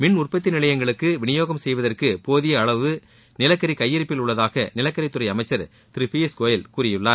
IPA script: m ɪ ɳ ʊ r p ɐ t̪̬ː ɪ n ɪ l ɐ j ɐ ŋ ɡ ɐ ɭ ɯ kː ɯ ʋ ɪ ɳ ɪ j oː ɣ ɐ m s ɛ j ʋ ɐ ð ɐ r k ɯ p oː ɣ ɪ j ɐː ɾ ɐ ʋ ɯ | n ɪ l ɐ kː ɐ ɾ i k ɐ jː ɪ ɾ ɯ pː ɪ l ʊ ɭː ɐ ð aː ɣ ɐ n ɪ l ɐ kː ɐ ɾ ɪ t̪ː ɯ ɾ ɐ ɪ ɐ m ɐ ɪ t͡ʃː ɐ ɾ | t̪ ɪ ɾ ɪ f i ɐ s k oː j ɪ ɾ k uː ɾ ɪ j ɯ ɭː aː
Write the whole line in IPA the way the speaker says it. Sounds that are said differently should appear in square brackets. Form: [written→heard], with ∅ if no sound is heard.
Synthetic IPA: m ɪ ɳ ʊ r p ɐ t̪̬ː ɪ n ɪ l ɐ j ɐ ŋ ɡ ɐ ɭ ɯ kː ɯ ʋ ɪ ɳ ɪ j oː ɣ ɐ m s ɛ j ʋ ɐ ð ɐ r k ɯ p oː [ɣ→ð] ɪ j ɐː [ɾ→ɭ] ɐ ʋ ɯ | n ɪ l ɐ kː ɐ ɾ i k ɐ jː ɪ ɾ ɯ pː ɪ l ʊ ɭː ɐ ð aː ɣ ɐ n ɪ l ɐ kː ɐ ɾ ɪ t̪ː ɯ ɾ ɐ ɪ ɐ m ɐ ɪ t͡ʃː ɐ ɾ | t̪ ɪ ɾ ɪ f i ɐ s k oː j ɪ [ɾ→l] k uː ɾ ɪ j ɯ ɭː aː

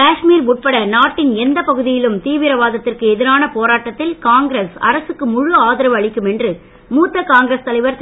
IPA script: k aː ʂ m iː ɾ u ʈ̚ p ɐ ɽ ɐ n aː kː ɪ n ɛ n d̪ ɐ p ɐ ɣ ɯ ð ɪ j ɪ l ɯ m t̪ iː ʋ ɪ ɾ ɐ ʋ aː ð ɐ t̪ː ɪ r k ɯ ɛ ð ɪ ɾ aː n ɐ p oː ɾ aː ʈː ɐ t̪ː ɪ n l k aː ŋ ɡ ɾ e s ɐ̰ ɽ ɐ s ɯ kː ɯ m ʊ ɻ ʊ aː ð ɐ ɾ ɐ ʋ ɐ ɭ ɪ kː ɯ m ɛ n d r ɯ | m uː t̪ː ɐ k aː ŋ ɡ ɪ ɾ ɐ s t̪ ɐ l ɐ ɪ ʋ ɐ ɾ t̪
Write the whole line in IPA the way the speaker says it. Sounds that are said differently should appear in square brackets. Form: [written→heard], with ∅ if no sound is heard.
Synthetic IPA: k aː ʂ m iː ɾ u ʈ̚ p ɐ ɽ ɐ n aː [kː→ʈː] ɪ n ɛ n d̪ ɐ p ɐ ɣ ɯ ð ɪ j ɪ l ɯ m t̪ iː ʋ ɪ ɾ ɐ ʋ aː ð ɐ t̪ː ɪ r k ɯ ɛ ð ɪ ɾ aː n ɐ p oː ɾ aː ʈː ɐ t̪ː ɪ [n→∅] l k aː ŋ ɡ ɾ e s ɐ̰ [ɽ→ɾ] ɐ s ɯ kː ɯ m ʊ ɻ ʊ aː ð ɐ ɾ ɐ ʋ ɐ ɭ ɪ kː ɯ m ɛ n d r ɯ | m uː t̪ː ɐ k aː ŋ ɡ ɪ ɾ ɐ s t̪ ɐ l ɐ ɪ ʋ ɐ ɾ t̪

